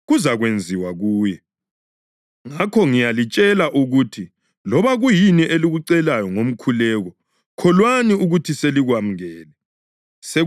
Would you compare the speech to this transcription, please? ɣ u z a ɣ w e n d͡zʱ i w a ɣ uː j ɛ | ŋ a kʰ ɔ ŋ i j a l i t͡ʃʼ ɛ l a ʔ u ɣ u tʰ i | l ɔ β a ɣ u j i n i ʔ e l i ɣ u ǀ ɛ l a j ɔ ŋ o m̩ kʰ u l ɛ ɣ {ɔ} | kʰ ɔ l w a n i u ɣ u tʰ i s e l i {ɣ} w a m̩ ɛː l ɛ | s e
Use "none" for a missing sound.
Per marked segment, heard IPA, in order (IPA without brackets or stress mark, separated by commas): ɔ, ɣ